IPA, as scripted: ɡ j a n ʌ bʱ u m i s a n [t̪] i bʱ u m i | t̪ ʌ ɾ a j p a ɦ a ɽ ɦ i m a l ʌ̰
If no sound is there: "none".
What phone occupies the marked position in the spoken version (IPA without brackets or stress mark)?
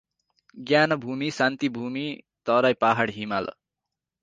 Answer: t̪